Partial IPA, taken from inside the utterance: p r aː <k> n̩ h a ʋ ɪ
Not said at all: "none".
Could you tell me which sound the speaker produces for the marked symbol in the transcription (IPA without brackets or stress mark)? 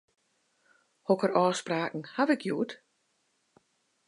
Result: k